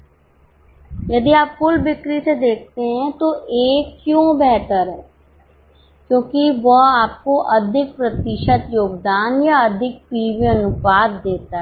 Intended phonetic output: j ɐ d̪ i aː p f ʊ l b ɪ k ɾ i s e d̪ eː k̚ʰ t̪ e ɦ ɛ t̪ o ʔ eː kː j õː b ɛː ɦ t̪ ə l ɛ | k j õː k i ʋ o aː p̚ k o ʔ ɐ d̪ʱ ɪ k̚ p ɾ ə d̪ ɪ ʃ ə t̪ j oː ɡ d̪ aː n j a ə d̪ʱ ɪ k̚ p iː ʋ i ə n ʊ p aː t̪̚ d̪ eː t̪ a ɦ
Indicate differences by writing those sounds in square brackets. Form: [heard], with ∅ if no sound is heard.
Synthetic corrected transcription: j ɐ d̪ i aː p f ʊ l b ɪ k ɾ i s e d̪ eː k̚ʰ t̪ e ɦ [ɛ̃] t̪ o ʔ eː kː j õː b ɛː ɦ t̪ ə [ɾ] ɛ | k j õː k i ʋ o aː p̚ k o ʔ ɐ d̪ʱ ɪ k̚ p ɾ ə [t̪] ɪ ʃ ə t̪ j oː ɡ d̪ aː n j a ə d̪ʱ ɪ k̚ p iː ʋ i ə n ʊ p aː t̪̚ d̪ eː t̪ a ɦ